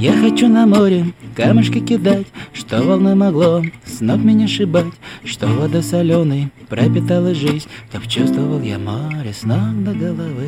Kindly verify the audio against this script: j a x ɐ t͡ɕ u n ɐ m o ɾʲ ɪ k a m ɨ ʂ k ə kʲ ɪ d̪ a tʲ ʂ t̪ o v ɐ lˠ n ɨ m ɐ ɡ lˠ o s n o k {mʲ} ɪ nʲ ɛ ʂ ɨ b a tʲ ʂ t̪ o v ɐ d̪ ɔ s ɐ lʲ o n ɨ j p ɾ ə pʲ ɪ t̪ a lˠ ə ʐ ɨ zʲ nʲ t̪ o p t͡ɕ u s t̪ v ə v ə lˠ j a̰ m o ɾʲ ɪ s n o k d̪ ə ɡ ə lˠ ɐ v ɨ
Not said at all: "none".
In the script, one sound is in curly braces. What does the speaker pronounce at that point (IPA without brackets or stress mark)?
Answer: mʲ